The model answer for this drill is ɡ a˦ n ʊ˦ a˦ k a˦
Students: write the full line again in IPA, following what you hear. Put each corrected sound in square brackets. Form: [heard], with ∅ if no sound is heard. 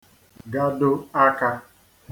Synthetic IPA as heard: ɡ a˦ [d] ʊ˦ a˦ k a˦